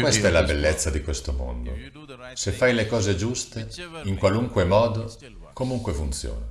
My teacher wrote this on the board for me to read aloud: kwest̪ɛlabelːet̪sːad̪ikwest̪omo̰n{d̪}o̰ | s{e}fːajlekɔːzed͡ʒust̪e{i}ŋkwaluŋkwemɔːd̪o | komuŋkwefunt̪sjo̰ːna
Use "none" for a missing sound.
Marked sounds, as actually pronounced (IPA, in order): d̪, e, i

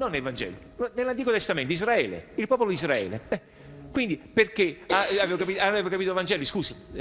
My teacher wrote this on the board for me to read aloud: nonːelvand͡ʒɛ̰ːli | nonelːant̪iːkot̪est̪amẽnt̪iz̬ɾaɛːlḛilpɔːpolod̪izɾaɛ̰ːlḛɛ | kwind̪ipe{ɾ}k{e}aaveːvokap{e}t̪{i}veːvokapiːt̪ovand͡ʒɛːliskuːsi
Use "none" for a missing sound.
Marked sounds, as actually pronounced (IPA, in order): r, e, i, a

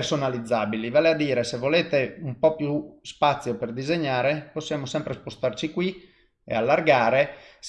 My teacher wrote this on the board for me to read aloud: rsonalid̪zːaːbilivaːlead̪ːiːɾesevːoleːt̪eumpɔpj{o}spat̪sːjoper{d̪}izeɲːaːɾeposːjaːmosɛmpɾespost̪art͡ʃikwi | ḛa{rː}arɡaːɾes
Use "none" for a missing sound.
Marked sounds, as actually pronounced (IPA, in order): u, d̪, lː

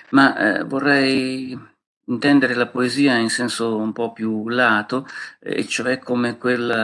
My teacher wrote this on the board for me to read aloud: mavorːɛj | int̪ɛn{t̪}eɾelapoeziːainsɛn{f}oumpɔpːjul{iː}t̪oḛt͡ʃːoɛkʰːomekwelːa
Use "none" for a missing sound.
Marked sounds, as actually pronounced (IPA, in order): d̪, s, aː

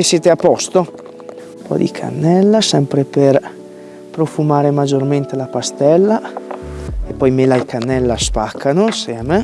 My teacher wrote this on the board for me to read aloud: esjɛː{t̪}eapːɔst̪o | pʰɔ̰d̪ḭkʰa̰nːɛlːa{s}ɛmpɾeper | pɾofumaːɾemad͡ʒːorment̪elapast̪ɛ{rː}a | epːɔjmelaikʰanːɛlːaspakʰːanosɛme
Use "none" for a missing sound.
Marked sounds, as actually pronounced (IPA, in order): t̪, s, lː

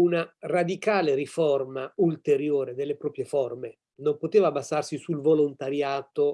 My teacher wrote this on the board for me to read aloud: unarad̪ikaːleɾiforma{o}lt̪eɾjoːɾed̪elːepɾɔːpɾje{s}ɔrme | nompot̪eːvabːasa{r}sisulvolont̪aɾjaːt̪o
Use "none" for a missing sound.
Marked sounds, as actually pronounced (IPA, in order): u, f, r

